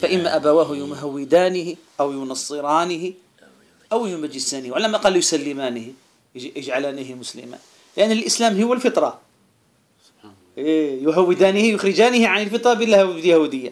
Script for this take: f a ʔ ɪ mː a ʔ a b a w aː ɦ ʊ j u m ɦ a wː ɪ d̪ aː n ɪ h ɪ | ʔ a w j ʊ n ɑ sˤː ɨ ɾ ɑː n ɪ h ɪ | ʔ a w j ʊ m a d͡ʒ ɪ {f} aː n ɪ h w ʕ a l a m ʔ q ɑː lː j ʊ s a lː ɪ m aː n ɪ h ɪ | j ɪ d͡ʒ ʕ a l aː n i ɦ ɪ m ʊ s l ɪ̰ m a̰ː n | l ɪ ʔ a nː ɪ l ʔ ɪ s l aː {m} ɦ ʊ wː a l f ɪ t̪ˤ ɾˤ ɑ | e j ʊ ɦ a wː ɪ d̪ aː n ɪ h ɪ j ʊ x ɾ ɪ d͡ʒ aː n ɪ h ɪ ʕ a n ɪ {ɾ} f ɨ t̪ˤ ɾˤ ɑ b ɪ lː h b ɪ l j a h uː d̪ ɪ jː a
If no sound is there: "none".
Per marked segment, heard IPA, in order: s, m, l

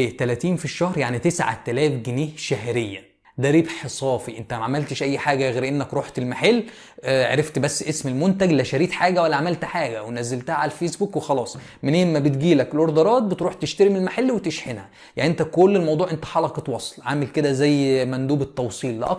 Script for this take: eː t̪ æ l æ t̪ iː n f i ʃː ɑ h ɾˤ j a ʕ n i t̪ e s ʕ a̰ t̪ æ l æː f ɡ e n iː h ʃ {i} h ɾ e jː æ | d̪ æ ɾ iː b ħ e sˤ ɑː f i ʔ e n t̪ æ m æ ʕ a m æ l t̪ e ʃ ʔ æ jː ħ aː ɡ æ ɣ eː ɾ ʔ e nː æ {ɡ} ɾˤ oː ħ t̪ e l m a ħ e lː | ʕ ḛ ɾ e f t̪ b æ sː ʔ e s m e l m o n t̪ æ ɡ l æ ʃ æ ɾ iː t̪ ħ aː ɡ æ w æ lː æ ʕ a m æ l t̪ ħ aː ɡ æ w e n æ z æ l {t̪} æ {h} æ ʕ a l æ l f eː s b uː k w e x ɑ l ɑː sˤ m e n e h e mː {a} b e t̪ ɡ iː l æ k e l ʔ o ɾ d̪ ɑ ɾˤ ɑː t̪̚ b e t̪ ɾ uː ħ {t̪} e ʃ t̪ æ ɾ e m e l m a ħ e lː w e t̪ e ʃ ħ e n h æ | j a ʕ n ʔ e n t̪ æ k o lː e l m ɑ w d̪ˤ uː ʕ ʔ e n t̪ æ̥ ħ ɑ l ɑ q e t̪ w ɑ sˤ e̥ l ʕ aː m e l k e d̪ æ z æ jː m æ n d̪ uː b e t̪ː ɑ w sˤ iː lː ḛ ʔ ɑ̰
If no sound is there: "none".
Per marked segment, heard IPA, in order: æ, k, t̪, h, æ, t̪

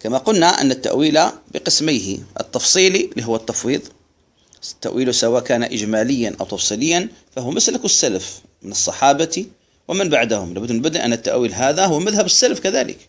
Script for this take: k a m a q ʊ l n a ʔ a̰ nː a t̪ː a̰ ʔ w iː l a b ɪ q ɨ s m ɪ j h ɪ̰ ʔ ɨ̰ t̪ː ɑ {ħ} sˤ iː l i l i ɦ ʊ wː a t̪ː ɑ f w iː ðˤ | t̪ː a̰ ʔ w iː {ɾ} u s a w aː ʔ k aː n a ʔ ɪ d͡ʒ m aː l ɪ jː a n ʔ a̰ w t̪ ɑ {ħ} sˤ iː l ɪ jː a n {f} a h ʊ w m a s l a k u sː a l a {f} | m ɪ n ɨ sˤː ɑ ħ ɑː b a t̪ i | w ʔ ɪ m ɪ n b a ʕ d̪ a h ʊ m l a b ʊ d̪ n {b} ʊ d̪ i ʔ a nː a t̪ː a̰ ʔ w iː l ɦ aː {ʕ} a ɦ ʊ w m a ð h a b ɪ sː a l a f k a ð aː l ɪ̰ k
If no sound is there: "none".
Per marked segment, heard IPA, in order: f, l, f, f, f, b, ð

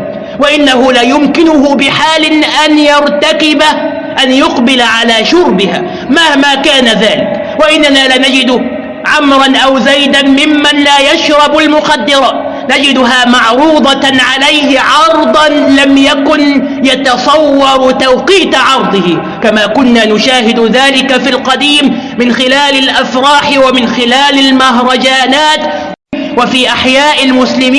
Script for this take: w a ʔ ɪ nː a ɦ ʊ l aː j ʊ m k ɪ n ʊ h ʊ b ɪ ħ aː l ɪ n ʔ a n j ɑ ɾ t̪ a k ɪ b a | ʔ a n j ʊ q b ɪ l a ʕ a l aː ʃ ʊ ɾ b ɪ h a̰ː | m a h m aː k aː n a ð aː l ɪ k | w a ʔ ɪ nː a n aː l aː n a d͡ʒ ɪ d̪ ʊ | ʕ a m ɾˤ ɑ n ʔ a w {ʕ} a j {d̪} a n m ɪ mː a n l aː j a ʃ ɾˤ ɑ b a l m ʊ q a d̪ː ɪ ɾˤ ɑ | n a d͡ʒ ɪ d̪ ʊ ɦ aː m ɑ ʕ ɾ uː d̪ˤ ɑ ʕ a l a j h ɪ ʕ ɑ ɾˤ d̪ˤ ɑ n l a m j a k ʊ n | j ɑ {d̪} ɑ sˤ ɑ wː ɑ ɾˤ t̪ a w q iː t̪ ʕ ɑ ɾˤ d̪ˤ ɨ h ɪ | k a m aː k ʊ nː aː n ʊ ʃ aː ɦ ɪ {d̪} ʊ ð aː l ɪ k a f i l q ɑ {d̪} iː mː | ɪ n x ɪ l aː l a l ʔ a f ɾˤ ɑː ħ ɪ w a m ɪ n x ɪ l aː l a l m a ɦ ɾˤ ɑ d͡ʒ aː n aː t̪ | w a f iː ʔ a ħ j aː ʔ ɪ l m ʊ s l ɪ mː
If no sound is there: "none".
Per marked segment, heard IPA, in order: z, d̪, t̪, d̪, d̪

